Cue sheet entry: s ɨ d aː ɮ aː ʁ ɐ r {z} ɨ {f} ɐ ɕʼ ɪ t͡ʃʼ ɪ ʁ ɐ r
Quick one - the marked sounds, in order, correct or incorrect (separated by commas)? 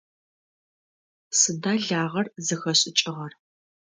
correct, incorrect